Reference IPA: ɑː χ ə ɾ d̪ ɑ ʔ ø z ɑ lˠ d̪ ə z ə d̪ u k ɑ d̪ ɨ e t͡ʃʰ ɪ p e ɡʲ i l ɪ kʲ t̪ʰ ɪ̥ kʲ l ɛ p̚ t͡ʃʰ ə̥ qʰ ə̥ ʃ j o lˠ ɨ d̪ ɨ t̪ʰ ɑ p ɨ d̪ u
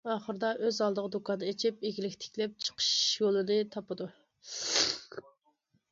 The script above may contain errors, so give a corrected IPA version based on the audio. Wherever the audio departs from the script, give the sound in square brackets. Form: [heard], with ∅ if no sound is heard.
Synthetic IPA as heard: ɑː χ ə ɾ d̪ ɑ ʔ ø z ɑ lˠ d̪ ə [ʁ] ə d̪ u k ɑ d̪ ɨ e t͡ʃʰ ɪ p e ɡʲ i l ɪ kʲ t̪ʰ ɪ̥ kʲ l ɛ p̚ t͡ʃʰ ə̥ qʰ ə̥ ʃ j o lˠ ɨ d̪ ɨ t̪ʰ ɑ p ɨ d̪ u